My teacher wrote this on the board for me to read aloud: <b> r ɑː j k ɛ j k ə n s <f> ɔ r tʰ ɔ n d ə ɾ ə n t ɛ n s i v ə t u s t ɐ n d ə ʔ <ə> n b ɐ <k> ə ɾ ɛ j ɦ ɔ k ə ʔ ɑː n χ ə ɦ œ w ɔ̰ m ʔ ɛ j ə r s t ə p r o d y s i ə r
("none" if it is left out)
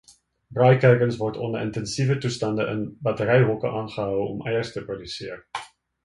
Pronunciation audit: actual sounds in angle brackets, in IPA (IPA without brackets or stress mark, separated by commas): b, v, ə, t